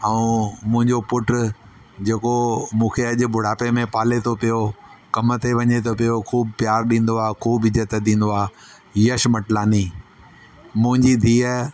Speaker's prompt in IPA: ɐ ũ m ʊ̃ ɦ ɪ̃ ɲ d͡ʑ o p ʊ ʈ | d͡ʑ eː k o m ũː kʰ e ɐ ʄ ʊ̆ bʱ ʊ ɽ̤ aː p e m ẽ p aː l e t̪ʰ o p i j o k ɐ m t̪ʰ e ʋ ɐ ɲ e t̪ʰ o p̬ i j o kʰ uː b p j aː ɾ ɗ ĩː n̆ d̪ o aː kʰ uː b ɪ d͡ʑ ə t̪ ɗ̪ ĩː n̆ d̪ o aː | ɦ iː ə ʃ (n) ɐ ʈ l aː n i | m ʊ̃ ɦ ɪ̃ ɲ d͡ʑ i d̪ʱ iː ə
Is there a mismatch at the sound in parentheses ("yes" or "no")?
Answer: yes